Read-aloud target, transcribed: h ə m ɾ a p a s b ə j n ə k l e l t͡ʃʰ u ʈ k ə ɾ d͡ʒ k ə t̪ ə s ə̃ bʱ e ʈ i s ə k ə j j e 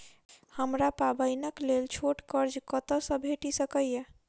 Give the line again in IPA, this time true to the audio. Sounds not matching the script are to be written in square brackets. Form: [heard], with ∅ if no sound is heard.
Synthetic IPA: h ə m ɾ a p a [∅] b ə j n ə k l e l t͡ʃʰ [o] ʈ k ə ɾ d͡ʒ k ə t̪ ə s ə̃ bʱ e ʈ i s ə k ə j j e